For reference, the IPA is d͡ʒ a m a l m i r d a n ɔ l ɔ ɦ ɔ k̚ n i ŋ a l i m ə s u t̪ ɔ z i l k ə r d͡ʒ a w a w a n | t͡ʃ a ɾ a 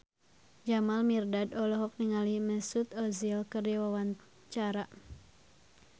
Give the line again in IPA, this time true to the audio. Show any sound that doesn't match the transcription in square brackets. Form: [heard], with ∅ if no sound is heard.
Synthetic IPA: d͡ʒ a m a l m i r d a [d] ɔ l ɔ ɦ ɔ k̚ n i ŋ a l i m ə s u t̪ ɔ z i l k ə r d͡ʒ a w a w a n | t͡ʃ a ɾ a